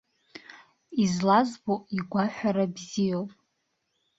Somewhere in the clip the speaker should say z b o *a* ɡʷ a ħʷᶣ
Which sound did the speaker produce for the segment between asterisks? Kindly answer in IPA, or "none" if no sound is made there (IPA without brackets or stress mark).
i